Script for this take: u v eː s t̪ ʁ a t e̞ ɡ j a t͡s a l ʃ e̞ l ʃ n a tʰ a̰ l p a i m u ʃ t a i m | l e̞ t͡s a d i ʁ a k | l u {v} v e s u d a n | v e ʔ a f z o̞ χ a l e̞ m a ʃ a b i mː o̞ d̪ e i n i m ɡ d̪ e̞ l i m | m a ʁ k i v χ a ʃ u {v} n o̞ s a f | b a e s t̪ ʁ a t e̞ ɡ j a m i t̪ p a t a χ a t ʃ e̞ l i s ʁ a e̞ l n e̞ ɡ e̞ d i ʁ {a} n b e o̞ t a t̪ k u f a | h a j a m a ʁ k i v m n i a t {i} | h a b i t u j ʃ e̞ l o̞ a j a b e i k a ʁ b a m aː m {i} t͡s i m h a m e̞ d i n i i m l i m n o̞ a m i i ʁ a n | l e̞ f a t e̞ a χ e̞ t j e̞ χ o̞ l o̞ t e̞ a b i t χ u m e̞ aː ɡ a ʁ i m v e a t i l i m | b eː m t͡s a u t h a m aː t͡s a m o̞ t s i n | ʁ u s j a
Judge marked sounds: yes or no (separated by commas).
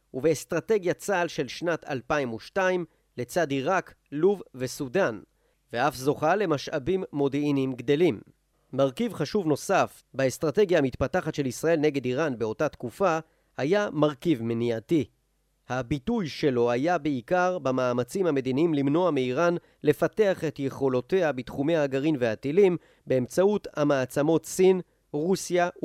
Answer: yes, yes, yes, yes, no